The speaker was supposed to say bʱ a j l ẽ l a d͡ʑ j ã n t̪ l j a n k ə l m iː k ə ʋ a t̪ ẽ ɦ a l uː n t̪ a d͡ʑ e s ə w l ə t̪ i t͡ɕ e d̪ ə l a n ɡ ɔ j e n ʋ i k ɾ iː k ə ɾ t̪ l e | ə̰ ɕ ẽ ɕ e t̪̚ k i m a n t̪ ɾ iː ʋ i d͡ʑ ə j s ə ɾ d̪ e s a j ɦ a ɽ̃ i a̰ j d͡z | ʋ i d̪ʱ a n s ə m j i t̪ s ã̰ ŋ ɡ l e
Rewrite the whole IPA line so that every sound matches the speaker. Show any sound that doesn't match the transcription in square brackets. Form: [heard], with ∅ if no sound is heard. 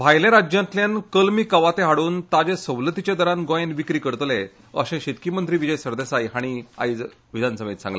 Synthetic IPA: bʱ a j l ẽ [ɾ] a d͡ʑ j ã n t̪ l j a n k ə l m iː k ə ʋ a t̪ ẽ ɦ a [ɽ] uː n t̪ a d͡ʑ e s ə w l ə t̪ i t͡ɕ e d̪ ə [ɾ] a n ɡ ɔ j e n ʋ i k ɾ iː k ə ɾ t̪ l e | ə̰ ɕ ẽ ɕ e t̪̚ k i m [ə] n t̪ ɾ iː ʋ i d͡ʑ ə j s ə ɾ d̪ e s a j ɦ a ɽ̃ i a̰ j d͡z | ʋ i d̪ʱ a n s ə m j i t̪ s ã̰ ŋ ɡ l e